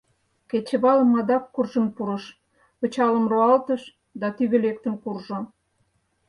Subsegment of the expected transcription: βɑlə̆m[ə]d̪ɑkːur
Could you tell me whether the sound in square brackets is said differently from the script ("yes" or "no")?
yes